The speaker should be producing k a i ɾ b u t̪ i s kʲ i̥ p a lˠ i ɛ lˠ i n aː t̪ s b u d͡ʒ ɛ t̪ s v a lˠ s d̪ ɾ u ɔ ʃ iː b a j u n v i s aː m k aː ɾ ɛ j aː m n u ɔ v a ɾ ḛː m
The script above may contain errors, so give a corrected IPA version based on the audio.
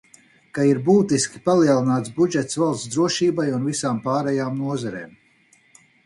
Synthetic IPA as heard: k a i ɾ b uː t̪ i s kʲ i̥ p a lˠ i ɛ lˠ i n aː t̪ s b u d͡ʒ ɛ t̪ s v a lˠ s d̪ ɾ u ɔ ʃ iː b a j u n v i s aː m p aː ɾ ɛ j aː m n u ɔ z a ɾ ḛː m